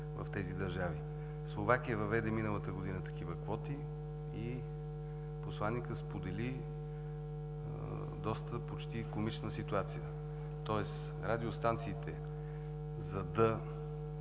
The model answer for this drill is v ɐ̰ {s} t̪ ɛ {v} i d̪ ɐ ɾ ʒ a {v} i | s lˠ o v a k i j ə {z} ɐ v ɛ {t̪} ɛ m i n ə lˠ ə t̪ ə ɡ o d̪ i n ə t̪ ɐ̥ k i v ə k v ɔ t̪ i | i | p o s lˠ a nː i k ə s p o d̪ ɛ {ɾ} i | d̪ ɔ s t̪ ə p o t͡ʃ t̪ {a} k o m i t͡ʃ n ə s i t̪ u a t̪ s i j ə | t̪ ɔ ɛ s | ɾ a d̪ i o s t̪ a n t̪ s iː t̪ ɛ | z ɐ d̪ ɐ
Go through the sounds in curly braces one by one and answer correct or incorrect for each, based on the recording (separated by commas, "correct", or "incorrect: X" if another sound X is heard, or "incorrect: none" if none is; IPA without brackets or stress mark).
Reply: incorrect: f, incorrect: z, correct, incorrect: v, incorrect: d̪, incorrect: l, incorrect: i